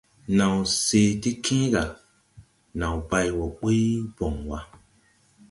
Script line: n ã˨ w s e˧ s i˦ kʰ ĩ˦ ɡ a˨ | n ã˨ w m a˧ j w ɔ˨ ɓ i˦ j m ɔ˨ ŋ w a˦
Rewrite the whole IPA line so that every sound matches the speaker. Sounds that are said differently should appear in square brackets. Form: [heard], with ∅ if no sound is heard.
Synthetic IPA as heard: n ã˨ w s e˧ [t] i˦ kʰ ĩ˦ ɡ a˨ | n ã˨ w [b] a˧ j w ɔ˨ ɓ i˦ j [b] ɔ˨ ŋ w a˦